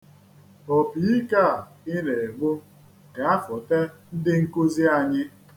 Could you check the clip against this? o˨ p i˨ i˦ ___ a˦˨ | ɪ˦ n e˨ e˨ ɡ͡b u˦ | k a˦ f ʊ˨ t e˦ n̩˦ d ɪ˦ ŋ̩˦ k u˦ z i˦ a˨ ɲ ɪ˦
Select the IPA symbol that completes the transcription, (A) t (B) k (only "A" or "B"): B